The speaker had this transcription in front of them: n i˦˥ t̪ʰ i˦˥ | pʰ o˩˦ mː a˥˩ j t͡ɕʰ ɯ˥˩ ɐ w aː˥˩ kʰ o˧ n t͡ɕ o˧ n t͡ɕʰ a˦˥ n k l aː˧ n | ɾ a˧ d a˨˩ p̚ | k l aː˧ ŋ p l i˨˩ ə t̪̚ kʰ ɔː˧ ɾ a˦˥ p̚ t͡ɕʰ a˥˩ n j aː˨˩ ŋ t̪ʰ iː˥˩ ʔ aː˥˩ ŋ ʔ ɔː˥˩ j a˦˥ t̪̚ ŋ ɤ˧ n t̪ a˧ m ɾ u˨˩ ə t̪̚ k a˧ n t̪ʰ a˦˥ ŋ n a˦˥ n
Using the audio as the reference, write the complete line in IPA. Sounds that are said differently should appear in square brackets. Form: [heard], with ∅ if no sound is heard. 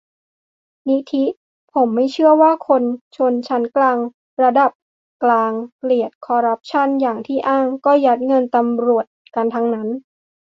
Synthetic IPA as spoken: n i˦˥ t̪ʰ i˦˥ | pʰ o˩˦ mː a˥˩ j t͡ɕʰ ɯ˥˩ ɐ w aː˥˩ kʰ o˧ n [t͡ɕʰ] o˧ n t͡ɕʰ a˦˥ n k l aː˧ [ŋ] | ɾ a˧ d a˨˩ p̚ | k l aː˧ ŋ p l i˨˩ ə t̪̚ kʰ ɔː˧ ɾ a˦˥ p̚ t͡ɕʰ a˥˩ n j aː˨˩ ŋ t̪ʰ iː˥˩ ʔ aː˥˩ ŋ [k] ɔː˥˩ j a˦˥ t̪̚ ŋ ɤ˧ n t̪ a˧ m ɾ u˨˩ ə t̪̚ k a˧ n t̪ʰ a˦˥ ŋ n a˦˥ n